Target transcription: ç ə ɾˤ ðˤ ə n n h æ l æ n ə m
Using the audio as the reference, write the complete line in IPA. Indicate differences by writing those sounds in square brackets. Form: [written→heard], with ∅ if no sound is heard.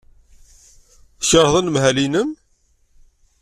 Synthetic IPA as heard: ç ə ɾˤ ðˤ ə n [n→m] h æ l [æ→i] n ə m